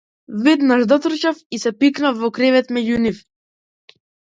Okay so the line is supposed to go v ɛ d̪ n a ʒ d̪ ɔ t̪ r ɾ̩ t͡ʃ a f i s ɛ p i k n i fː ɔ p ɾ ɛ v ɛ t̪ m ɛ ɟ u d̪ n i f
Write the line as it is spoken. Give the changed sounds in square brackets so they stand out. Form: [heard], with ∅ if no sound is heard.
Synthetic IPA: v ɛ d̪ n a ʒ d̪ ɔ t̪ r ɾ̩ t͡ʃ a f i s ɛ p i k n [a] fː ɔ [k] ɾ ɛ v ɛ t̪ m ɛ ɟ u [∅] n i f